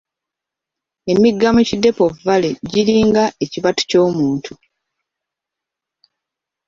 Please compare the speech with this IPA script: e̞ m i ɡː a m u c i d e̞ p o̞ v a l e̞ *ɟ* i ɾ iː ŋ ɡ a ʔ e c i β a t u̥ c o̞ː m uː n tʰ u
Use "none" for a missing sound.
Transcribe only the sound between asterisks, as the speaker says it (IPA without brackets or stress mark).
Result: ɟ